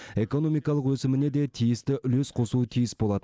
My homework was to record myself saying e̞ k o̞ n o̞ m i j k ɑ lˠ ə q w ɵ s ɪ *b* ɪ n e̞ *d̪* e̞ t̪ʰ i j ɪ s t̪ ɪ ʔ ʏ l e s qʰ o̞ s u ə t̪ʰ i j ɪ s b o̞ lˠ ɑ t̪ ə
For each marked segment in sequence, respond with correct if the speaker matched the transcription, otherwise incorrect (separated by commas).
incorrect, correct